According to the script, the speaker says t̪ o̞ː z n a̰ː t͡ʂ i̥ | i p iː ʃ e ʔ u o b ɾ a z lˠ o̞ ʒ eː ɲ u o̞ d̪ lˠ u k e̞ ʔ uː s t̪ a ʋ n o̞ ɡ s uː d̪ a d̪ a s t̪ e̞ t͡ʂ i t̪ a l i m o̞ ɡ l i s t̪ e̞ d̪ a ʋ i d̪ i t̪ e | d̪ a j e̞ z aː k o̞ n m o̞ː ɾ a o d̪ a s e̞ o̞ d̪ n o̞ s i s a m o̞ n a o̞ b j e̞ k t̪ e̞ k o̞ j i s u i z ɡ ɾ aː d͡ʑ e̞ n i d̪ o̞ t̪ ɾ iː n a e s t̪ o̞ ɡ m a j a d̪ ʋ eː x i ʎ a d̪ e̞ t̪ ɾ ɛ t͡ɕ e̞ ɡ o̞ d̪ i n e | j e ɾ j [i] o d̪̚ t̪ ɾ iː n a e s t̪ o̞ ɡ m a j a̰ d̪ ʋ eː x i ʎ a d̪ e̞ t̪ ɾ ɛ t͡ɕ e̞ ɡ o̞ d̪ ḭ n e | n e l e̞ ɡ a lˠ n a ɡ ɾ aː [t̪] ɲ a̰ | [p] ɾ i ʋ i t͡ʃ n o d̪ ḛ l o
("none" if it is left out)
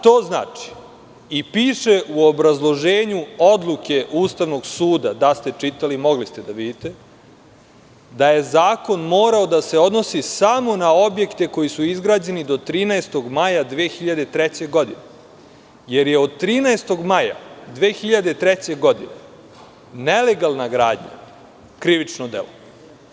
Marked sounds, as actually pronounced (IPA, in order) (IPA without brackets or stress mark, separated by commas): e, d̪, k